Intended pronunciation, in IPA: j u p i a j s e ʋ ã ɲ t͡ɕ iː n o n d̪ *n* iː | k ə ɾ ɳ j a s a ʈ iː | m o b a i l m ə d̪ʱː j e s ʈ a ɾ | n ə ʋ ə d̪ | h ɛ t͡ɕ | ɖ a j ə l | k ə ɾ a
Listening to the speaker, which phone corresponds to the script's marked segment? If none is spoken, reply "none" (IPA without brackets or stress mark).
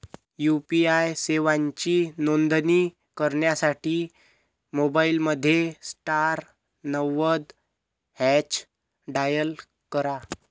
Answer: n